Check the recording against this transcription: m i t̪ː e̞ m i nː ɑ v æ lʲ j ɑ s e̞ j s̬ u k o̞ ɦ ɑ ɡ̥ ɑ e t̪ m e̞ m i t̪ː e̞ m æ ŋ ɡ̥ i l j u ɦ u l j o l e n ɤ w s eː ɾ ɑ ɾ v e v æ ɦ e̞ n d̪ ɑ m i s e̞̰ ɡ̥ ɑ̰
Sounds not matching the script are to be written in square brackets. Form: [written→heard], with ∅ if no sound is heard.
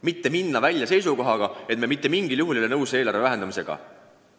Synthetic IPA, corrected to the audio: m i t̪ː e̞ m i nː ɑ v æ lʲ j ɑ s e̞ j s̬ u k o̞ ɦ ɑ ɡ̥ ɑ e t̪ m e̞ m i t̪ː e̞ m [æ→i] ŋ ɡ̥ i l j u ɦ u l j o l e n ɤ w s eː [ɾ→l] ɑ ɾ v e v æ ɦ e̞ n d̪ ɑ m i s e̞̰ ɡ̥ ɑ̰